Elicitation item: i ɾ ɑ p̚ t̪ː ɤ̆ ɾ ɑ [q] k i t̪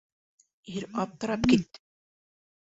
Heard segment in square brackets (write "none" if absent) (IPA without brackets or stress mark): p